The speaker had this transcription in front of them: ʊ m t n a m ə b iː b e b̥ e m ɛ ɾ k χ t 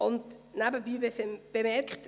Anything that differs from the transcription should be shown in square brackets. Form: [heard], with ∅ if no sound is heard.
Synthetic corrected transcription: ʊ [n] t n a [b] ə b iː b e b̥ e m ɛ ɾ k χ t